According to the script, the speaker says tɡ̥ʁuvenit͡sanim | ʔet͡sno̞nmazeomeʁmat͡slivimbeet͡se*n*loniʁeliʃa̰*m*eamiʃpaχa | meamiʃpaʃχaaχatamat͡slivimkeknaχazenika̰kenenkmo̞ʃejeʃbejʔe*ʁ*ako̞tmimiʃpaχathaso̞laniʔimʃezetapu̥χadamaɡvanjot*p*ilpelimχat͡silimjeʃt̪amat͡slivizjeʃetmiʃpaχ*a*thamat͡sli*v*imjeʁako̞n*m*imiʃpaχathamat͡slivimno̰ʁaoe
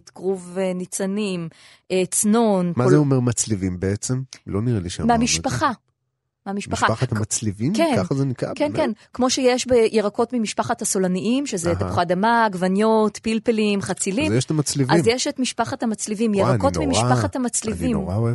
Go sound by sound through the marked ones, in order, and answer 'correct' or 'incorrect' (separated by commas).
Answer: incorrect, correct, correct, correct, correct, correct, correct